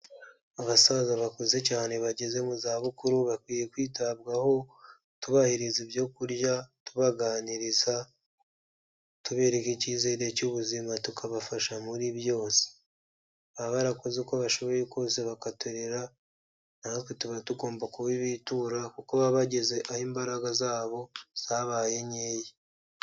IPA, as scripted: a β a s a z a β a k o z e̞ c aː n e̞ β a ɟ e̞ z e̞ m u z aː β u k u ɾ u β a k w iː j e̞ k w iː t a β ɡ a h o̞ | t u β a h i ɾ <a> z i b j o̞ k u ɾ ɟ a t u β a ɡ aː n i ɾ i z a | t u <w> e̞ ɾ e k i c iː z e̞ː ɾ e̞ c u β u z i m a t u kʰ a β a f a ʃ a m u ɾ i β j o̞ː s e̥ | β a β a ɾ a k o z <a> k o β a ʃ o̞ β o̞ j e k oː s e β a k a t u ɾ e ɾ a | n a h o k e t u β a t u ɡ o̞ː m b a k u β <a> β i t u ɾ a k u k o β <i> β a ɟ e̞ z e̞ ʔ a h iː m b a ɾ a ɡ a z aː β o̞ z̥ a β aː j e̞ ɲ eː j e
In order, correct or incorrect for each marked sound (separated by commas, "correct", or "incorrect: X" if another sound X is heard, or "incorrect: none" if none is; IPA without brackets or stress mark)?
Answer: incorrect: i, incorrect: β, incorrect: e, incorrect: i, incorrect: a